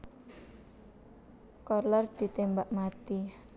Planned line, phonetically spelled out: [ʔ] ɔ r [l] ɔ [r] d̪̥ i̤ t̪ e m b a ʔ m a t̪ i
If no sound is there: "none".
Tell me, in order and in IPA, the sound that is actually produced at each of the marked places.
k, l, r

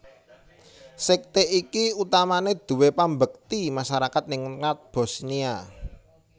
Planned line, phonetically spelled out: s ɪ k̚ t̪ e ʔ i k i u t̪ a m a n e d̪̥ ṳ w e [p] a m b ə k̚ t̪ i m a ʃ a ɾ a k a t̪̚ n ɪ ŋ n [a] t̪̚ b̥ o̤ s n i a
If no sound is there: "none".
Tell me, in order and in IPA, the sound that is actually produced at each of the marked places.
p, a

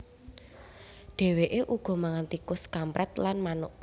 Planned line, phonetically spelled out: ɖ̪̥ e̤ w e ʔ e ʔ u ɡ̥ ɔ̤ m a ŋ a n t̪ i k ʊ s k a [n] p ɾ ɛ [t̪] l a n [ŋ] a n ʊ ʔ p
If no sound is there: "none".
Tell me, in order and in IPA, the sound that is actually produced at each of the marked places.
m, t̪, m

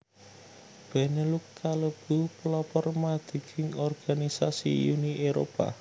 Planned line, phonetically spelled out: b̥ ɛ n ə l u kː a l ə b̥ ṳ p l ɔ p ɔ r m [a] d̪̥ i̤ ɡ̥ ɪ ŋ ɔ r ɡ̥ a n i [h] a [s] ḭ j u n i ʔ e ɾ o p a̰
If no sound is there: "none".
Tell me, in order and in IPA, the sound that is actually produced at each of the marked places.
a, s, s

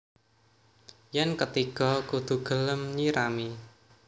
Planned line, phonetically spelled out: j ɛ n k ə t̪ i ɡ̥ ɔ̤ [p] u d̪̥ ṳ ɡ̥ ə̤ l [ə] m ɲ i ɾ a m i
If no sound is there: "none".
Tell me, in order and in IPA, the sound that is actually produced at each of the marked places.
k, ə

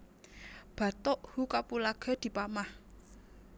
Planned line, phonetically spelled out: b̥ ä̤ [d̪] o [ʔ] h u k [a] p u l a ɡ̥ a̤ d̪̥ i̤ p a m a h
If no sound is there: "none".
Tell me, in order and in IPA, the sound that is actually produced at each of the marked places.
t̪, ʔ, a

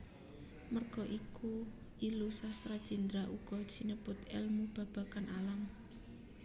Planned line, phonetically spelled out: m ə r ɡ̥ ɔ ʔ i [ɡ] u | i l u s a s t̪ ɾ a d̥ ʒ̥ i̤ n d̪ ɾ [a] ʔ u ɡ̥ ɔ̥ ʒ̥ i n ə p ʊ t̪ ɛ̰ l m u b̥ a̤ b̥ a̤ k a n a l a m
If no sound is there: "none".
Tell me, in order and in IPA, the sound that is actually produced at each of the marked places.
k, a

